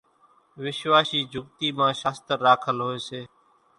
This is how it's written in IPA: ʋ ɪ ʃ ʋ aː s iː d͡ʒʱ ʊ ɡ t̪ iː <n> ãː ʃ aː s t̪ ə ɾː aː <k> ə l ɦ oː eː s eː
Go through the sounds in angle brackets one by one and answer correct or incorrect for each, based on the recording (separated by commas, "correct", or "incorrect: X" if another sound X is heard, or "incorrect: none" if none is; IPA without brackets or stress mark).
incorrect: m, incorrect: kʰ